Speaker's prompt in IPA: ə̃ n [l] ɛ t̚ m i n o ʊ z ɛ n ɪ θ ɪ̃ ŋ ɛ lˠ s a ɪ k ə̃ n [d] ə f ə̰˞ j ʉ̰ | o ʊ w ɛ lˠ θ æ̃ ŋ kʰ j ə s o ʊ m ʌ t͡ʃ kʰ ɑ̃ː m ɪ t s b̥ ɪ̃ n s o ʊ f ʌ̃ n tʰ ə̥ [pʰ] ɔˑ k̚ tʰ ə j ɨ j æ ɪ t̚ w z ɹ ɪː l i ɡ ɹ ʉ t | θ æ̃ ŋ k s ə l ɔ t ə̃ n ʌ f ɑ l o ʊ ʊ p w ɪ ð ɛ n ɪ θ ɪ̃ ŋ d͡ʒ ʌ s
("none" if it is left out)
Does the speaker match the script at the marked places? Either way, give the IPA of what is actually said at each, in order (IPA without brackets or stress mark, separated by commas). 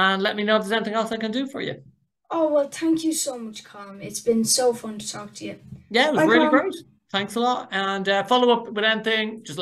l, d, tʰ